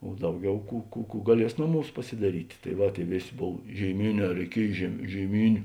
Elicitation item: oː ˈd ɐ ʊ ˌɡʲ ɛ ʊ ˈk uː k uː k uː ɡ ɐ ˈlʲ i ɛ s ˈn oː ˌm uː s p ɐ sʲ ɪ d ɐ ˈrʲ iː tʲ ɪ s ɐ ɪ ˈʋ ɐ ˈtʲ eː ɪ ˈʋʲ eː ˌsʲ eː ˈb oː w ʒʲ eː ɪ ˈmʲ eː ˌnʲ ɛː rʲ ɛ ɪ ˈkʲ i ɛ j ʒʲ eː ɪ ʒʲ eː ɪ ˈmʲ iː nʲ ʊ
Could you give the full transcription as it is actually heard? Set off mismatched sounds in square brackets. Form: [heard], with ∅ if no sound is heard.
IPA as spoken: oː ˈd ɐ ʊ ˌɡʲ ɛ ʊ ˈk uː k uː k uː ɡ ɐ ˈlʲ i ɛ s ˈn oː ˌm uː s p ɐ sʲ ɪ d ɐ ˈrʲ iː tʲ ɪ [t] ɐ ɪ ˈʋ ɐ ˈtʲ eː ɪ ˈʋʲ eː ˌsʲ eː ˈb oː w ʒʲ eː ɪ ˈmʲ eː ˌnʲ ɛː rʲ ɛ ɪ ˈkʲ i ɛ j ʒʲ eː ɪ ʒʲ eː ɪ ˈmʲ iː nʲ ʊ